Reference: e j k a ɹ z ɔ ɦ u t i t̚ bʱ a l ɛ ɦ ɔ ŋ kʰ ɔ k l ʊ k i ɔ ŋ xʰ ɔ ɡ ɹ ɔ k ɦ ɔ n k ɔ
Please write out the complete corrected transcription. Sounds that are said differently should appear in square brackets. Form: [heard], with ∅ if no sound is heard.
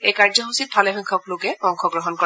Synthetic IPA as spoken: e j k a ɹ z ɔ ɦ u [s] i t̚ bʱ a l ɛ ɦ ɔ ŋ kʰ ɔ k l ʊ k [ɛ] ɔ ŋ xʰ ɔ ɡ ɹ ɔ [∅] ɦ ɔ n k ɔ

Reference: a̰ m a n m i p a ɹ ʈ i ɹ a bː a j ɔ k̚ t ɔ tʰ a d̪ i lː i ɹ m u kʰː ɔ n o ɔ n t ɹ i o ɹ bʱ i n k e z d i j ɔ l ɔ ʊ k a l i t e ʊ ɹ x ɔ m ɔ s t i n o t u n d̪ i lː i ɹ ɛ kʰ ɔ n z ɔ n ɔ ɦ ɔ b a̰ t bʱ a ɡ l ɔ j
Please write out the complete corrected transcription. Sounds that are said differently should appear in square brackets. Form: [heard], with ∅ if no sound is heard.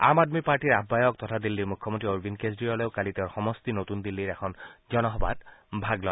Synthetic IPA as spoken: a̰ m a [d] m i p a ɹ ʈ i ɹ a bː a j ɔ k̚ t ɔ tʰ a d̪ i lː i ɹ m u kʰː ɔ [m] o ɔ n t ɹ i o ɹ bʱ i n k e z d i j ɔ l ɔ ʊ k a l i t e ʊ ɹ x ɔ m ɔ s t i n o t u n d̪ i lː i ɹ ɛ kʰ ɔ n z ɔ n ɔ ɦ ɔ b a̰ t bʱ a ɡ l ɔ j

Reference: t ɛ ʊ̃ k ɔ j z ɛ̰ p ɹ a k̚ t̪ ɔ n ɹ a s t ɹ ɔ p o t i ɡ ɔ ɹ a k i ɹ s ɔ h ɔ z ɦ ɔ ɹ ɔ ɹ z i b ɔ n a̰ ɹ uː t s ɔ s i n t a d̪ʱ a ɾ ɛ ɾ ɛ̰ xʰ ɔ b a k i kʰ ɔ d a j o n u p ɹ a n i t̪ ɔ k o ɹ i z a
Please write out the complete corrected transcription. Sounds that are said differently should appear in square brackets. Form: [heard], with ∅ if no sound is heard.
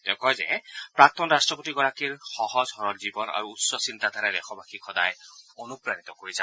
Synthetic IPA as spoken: t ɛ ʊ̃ k ɔ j z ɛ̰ p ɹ a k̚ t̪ ɔ n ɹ a s t ɹ ɔ p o t i ɡ ɔ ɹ a k i ɹ [x] ɔ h ɔ z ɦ ɔ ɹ ɔ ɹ z i b ɔ n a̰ ɹ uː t s ɔ s i n t a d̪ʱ a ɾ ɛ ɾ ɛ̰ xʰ ɔ b a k i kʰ ɔ d a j o n u p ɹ a n i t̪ ɔ k o ɹ i z a

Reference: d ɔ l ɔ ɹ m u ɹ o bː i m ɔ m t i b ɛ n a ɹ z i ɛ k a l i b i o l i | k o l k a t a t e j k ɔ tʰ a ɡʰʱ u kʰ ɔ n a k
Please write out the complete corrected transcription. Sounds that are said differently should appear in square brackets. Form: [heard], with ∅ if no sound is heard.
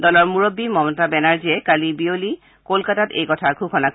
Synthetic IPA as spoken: d ɔ l ɔ ɹ m u ɹ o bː i m ɔ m t [a] b ɛ n a ɹ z i ɛ k a l i b i o l i | k o l k a t a t e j k ɔ tʰ a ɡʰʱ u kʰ ɔ n a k

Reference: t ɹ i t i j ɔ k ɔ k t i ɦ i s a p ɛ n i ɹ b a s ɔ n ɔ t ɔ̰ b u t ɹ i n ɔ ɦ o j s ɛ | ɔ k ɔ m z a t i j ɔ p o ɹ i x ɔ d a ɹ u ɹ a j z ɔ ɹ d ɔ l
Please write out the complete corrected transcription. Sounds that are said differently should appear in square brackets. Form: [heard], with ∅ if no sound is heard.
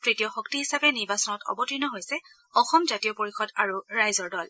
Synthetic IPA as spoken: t ɹ i t i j ɔ [x] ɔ k t i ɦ i s a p ɛ n i ɹ b a s ɔ n ɔ t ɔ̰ b [ɔ] t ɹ i n ɔ ɦ o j s ɛ | ɔ [x] ɔ m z a t i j ɔ p o ɹ i x ɔ d a ɹ u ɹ a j z ɔ ɹ d ɔ l

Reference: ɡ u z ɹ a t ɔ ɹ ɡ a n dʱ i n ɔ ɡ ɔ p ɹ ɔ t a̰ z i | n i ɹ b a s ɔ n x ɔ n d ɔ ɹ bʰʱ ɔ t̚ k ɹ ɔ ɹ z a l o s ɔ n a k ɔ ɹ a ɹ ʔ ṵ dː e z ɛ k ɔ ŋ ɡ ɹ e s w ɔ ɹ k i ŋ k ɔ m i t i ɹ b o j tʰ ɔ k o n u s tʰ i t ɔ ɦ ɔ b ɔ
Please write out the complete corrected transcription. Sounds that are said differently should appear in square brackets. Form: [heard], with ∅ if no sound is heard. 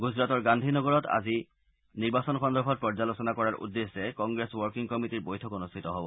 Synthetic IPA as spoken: ɡ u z ɹ a t ɔ ɹ ɡ a n dʱ i n ɔ ɡ ɔ [∅] ɹ ɔ t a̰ z i | n i ɹ b a s ɔ n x ɔ n d ɔ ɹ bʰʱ ɔ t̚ [p] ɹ ɔ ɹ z a l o s ɔ n a k ɔ ɹ a ɹ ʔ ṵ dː e [s] ɛ k ɔ ŋ ɡ ɹ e s w ɔ ɹ k i ŋ k ɔ m i t i ɹ b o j tʰ ɔ k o n u s tʰ i t ɔ ɦ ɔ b ɔ

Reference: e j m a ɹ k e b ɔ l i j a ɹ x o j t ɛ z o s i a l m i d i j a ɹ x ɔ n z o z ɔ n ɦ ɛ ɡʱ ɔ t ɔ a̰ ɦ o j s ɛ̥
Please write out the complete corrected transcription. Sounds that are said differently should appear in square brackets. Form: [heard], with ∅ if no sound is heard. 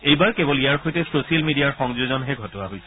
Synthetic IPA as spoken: e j [b] a ɹ k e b ɔ l i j a ɹ x o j t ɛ [s] o s i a l m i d i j a ɹ x ɔ [ŋ] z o z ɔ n ɦ ɛ ɡʱ ɔ t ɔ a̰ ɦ o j s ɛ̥

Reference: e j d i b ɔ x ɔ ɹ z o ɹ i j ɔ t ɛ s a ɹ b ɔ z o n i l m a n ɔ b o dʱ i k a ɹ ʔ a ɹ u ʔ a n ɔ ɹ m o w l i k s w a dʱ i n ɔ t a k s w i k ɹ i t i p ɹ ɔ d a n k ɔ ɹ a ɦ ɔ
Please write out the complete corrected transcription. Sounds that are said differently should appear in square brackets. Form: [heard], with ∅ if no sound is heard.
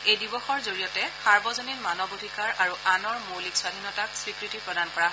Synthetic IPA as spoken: e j d i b ɔ x ɔ ɹ z o ɹ i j ɔ t ɛ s a ɹ b ɔ z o n i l m a n ɔ b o dʱ i k a ɹ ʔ a ɹ u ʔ a n ɔ ɹ m o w l i k s w a dʱ i n ɔ t a k s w i k ɹ i t i p ɹ ɔ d a n k ɔ ɹ a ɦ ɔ

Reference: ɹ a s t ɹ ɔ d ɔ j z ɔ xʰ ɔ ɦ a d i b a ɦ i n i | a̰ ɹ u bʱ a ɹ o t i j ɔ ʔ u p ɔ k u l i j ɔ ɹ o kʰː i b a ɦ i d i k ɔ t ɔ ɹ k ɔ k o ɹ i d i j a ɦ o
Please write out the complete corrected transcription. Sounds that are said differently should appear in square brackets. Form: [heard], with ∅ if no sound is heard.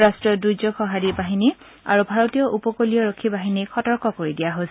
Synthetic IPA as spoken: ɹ a s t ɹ ɔ d [u] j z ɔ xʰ ɔ ɦ a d i b a ɦ i n i | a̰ ɹ u bʱ a ɹ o t i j ɔ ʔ u p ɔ k [o] l i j ɔ ɹ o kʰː i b a ɦ i [n] i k ɔ t ɔ ɹ k ɔ k o ɹ i d i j a ɦ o

